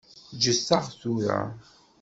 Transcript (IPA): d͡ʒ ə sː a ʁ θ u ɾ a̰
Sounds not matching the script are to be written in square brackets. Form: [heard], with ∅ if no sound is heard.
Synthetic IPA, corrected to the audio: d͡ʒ ə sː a ʁ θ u ɾ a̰